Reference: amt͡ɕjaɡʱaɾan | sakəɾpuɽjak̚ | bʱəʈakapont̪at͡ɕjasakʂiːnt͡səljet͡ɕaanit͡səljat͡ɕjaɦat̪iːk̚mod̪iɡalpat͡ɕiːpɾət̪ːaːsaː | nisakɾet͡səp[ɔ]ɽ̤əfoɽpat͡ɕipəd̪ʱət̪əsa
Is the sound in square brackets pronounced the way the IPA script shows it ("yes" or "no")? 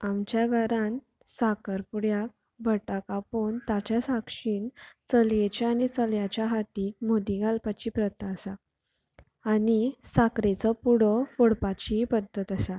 no